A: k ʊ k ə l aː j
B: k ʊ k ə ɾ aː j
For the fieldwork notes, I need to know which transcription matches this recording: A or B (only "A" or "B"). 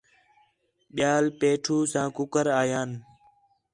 B